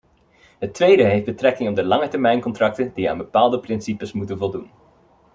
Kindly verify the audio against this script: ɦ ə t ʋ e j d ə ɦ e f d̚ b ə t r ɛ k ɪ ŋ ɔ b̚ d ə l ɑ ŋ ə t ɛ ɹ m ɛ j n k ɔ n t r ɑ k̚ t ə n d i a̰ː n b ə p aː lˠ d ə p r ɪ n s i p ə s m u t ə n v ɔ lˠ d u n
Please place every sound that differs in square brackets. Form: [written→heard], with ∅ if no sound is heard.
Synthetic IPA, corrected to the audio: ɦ ə t ʋ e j d ə ɦ e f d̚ b ə t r ɛ k ɪ ŋ ɔ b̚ d ə l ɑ ŋ ə t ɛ ɹ m ɛ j n k ɔ n t r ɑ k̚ t ə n d i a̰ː n b ə p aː lˠ d ə p r ɪ n s i p ə s m u t ə n v ɔ lˠ d u n